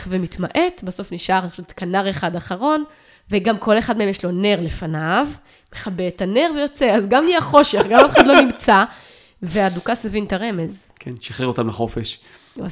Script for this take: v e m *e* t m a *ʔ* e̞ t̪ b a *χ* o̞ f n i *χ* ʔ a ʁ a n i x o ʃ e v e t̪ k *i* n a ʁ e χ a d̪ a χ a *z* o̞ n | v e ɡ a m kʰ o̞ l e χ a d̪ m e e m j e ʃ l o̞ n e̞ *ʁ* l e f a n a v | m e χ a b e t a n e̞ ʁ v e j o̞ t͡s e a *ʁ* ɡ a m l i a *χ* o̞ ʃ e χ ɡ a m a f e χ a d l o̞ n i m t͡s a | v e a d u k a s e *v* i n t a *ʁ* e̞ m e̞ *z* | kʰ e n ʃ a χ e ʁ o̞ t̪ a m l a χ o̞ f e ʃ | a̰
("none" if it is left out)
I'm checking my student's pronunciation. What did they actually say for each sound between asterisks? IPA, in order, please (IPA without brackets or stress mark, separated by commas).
i, ʔ, s, ʃ, a, ʁ, ʁ, z, χ, v, ʁ, z